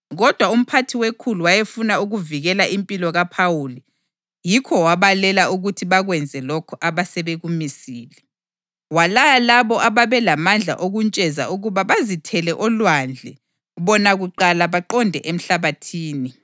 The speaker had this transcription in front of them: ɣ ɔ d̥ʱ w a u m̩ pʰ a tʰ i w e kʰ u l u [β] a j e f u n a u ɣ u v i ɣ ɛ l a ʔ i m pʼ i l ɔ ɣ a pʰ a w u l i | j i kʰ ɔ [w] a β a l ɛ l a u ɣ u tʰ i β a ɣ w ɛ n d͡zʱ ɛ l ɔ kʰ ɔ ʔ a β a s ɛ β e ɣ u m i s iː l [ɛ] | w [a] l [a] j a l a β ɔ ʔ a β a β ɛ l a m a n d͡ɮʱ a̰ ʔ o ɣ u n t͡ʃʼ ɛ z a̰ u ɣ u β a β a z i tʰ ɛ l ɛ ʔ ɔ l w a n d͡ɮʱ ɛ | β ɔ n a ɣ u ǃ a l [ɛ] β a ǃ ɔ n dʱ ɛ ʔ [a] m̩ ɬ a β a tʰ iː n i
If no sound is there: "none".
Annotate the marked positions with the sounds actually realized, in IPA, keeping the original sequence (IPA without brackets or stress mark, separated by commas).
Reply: w, w, ɛ, a, a, a, e